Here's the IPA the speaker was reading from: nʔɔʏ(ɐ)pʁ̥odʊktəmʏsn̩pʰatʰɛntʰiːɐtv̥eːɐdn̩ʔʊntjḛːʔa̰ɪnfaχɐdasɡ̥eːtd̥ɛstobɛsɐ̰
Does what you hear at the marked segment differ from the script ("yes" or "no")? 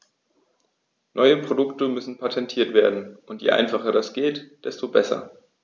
yes